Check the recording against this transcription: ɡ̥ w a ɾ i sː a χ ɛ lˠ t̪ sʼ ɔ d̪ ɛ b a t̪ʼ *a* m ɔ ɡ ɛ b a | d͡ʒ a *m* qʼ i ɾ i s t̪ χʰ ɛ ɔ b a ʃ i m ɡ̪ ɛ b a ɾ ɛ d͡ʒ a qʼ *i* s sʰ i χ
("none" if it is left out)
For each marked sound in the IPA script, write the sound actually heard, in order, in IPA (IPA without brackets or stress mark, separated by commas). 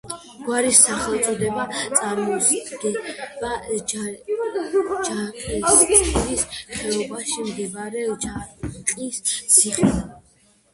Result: a, none, i